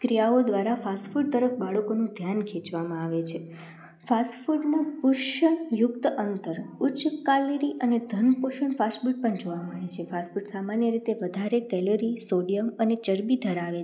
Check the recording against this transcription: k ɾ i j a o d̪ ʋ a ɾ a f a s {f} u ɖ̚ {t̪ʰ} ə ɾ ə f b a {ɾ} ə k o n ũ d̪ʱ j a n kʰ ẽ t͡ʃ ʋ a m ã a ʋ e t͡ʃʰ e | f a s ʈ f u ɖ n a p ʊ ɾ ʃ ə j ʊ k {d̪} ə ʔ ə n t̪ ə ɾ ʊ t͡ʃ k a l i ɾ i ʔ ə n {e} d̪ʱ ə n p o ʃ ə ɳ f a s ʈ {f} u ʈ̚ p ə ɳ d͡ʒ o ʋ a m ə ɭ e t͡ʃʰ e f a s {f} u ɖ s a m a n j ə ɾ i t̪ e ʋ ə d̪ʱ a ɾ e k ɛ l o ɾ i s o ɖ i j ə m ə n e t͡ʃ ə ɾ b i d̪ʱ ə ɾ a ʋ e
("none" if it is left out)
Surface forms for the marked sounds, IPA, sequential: f, t̪, ɭ, t̪, e, f, f

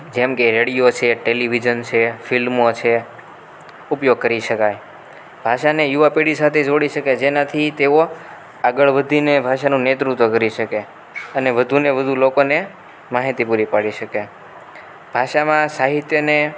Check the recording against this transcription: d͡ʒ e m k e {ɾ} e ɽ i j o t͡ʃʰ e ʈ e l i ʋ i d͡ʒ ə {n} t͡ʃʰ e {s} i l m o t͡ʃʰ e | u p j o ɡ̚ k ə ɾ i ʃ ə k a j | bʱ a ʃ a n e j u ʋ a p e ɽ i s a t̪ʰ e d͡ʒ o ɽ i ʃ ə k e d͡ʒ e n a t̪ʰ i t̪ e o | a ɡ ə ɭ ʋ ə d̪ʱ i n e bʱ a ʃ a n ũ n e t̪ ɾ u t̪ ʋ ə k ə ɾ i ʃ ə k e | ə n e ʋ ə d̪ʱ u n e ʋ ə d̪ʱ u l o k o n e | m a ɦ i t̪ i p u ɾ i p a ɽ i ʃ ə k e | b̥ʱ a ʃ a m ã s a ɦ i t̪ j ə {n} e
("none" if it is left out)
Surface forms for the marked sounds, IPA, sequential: ɾ, n, f, n

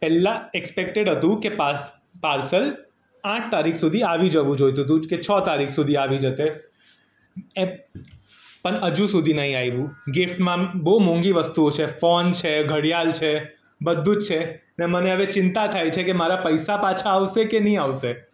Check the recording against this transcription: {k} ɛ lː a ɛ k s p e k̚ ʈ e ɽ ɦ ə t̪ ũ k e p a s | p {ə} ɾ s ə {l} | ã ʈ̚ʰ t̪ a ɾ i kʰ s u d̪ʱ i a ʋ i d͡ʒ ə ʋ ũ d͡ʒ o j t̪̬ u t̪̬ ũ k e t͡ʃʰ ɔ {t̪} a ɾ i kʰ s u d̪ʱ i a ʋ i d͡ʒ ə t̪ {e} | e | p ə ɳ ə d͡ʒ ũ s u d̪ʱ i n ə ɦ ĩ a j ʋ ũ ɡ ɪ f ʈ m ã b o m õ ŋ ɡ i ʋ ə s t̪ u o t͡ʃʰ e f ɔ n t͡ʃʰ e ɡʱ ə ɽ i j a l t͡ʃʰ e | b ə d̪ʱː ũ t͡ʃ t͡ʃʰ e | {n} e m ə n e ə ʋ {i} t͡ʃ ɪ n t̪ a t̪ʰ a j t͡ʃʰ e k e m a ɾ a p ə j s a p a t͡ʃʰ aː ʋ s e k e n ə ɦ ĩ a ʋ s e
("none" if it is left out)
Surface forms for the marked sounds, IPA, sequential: p, a, l, t̪, e, n, e

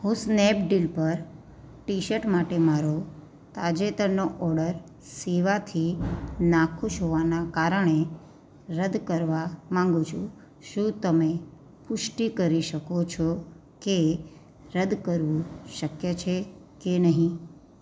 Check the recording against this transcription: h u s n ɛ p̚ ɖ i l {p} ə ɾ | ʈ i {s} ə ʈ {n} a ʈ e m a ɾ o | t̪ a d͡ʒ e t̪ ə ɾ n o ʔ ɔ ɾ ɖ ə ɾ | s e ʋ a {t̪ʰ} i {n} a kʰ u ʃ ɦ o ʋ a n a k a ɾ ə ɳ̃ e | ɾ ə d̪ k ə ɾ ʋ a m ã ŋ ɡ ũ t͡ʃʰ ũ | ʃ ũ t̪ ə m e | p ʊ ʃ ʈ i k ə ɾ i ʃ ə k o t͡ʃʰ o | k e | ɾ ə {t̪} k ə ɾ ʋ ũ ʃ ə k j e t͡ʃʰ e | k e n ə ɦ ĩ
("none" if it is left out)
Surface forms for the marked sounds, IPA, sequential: p, ʃ, m, t̪ʰ, n, d̪

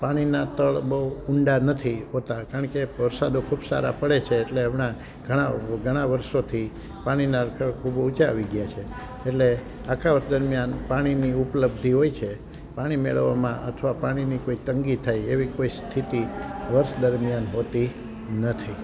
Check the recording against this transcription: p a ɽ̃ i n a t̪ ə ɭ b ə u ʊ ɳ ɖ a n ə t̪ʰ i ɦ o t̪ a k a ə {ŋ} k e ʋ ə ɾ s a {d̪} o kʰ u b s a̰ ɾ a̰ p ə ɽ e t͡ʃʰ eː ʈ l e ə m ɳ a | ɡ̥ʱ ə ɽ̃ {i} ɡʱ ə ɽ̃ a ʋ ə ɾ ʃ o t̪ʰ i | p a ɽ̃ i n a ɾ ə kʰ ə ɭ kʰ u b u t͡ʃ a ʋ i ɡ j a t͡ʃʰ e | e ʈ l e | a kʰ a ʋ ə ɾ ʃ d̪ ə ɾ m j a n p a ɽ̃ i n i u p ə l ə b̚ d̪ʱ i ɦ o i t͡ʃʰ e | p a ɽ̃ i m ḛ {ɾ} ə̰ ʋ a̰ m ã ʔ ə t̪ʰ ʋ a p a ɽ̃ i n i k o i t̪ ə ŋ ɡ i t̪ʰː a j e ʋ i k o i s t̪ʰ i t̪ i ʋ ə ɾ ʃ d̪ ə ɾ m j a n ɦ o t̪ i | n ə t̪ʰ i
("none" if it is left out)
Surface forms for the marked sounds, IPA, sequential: ɳ, d̪, a, ɭ

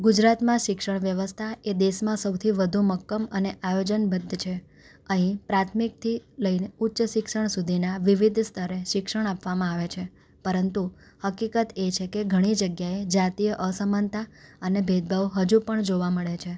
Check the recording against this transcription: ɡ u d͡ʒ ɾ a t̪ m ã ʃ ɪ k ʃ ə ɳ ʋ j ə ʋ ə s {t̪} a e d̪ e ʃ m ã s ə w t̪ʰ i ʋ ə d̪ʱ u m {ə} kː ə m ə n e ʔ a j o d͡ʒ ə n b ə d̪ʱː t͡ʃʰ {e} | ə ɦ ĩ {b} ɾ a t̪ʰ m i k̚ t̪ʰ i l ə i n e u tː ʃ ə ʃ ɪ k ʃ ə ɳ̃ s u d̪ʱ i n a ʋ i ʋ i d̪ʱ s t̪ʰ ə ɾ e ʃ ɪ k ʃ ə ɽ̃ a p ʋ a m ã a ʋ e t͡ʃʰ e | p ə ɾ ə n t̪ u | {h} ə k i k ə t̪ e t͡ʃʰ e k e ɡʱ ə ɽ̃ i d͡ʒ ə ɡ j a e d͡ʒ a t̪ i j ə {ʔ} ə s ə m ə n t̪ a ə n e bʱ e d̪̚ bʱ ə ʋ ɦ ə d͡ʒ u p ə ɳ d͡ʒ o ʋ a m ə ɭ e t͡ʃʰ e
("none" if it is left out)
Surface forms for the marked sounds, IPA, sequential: t̪ʰ, ə, e, p, h, ʔ

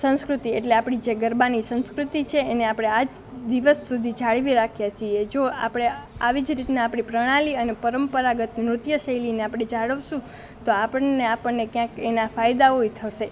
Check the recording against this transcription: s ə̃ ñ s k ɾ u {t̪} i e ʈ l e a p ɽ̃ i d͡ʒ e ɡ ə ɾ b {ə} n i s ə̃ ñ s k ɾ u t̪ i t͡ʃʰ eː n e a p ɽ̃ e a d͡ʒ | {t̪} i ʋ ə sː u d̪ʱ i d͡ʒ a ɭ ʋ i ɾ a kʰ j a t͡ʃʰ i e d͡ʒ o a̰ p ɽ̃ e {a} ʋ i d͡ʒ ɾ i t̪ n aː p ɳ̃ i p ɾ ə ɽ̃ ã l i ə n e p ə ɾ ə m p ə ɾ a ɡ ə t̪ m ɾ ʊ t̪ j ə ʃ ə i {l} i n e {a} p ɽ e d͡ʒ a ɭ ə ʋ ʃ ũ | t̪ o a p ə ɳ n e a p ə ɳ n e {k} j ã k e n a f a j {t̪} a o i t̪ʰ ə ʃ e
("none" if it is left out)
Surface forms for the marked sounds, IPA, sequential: t̪, a, d̪, a, l, a, k, d̪

